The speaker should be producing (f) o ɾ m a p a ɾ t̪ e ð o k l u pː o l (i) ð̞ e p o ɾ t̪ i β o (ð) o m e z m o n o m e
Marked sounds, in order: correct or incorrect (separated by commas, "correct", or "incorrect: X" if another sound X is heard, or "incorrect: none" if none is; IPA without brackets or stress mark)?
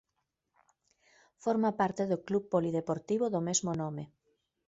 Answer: correct, correct, correct